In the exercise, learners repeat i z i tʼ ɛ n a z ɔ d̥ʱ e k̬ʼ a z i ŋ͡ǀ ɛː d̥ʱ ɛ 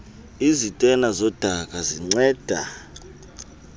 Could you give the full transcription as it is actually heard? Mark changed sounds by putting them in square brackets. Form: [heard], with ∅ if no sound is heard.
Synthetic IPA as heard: i z i tʼ ɛ n a z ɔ d̥ʱ [a] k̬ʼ a z i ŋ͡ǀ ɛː d̥ʱ [a]